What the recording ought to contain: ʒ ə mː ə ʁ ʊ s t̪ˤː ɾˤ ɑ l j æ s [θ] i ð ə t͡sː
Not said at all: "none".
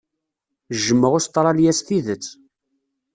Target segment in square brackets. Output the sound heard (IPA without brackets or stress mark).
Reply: θ